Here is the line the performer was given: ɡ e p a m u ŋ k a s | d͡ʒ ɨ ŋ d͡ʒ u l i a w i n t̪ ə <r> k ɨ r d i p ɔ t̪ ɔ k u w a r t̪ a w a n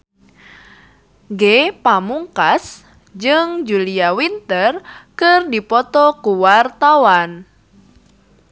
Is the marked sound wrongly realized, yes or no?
no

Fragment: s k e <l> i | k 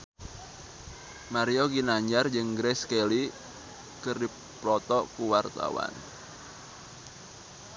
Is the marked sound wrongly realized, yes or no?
no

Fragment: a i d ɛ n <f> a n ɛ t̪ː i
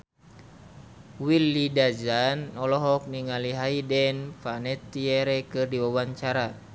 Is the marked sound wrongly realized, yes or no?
no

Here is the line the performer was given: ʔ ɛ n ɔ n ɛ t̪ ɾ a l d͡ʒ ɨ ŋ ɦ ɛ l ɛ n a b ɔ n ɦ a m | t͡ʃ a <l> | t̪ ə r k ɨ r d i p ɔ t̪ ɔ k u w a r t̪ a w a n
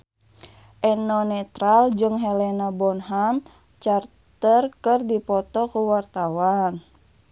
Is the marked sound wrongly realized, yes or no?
yes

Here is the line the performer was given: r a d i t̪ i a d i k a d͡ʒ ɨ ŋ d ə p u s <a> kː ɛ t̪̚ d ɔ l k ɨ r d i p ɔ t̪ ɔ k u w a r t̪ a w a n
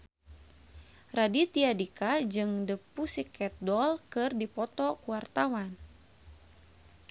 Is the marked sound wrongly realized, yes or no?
yes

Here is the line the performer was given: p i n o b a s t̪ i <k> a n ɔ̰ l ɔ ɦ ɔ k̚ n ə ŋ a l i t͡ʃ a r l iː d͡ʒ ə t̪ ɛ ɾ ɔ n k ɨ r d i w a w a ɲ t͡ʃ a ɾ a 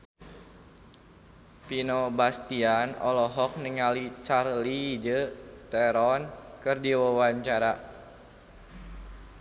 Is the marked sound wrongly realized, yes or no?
yes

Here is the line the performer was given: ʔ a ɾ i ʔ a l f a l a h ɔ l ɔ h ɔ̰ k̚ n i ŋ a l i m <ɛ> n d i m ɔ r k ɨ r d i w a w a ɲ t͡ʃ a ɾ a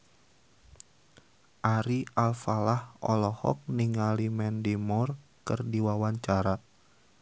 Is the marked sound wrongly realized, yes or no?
no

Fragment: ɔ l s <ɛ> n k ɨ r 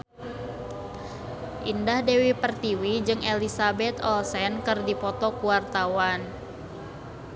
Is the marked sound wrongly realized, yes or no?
no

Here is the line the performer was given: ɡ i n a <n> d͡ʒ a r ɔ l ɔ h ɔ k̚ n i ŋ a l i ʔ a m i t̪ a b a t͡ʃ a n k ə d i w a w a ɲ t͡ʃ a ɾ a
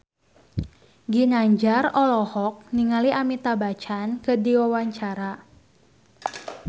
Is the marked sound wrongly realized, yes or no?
yes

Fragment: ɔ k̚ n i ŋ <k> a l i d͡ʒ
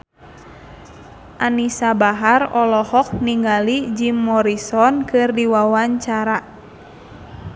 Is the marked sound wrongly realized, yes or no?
yes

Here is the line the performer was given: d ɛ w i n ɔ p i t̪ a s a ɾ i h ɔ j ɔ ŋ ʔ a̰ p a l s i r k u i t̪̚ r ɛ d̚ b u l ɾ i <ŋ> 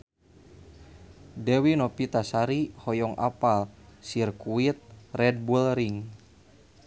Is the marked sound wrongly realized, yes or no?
no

